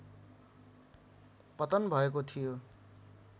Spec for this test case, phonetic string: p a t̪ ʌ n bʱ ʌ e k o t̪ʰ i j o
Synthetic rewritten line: p ʌ t̪ ʌ n bʱ ʌ e k o t̪ʰ i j o